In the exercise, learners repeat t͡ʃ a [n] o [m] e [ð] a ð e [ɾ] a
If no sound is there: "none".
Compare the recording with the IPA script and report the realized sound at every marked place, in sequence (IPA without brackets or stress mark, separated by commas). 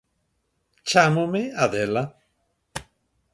m, m, none, l